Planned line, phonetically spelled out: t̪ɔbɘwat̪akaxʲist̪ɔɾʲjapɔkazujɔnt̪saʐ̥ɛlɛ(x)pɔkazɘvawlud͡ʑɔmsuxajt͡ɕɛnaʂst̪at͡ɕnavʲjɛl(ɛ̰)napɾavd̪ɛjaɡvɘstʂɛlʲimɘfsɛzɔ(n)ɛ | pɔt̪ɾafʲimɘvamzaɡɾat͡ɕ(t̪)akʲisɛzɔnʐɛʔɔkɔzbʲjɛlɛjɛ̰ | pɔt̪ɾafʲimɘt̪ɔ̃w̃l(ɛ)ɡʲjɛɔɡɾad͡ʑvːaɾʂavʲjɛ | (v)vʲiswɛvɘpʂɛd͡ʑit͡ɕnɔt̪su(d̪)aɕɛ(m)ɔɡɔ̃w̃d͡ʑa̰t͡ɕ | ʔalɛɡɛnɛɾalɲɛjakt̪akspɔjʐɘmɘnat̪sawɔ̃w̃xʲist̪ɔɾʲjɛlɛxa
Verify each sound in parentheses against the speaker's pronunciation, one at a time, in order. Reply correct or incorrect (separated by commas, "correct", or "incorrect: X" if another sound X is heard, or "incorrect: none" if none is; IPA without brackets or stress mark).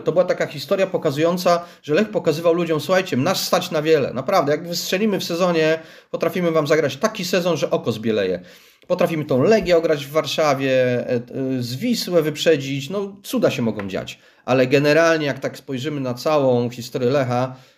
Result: correct, correct, incorrect: ɲ, correct, correct, incorrect: z, correct, correct